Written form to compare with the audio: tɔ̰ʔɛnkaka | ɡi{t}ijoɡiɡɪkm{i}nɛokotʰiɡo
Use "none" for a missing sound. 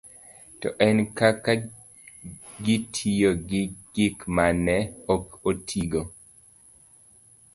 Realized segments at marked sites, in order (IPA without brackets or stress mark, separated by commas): tʰ, a